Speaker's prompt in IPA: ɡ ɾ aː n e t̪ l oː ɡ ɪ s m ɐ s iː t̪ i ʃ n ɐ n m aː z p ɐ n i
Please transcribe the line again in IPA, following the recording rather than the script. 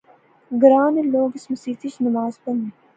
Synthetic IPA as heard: ɡ ɾ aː n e l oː ɡ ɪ s m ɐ s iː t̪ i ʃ n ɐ m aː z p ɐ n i